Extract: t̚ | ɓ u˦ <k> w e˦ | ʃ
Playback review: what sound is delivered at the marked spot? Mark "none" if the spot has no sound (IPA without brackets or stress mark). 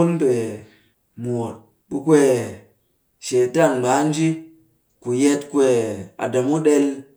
k